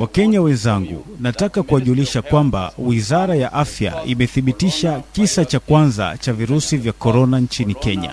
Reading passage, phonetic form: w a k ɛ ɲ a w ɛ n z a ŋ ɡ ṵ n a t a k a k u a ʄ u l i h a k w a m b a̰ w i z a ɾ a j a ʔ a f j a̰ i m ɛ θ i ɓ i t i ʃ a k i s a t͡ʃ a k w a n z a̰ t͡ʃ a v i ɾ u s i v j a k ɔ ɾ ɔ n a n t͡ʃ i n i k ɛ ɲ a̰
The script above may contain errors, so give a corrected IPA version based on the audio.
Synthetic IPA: w a k ɛ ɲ a w ɛ n z a ŋ ɡ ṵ n a t a k a k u a ʄ u l i ʃ a k w a m b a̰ w i z a ɾ a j a ʔ a f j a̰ i m ɛ θ i ɓ i t i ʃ a k i s a t͡ʃ a k w a n z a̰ t͡ʃ a v i ɾ u s i v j a k ɔ ɾ ɔ n a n t͡ʃ i n i k ɛ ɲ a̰